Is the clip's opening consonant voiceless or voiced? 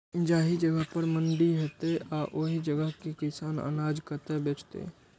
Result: voiced